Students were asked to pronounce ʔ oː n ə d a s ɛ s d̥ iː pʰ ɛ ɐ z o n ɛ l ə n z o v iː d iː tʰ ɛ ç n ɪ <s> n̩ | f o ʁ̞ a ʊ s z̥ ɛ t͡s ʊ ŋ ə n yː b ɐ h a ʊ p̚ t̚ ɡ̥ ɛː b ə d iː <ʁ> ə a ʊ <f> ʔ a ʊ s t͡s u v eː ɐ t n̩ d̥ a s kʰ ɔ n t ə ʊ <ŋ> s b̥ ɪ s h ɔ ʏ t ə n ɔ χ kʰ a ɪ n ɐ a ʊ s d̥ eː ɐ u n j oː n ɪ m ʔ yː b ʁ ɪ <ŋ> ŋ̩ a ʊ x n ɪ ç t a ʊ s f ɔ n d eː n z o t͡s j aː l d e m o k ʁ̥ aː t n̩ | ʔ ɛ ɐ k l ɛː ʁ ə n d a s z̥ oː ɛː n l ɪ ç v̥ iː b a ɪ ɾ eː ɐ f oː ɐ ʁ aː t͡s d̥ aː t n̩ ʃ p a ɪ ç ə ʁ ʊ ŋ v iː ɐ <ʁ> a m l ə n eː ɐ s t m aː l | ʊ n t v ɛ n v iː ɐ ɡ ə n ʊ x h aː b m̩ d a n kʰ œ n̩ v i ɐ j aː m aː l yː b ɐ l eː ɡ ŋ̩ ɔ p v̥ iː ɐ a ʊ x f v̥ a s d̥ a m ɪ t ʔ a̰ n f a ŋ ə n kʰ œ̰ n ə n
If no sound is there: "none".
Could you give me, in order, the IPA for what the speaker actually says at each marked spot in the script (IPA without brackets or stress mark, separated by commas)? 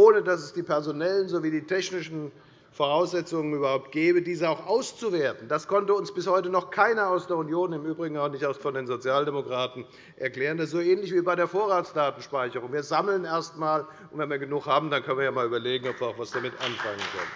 ʃ, z, x, n, ɡ, z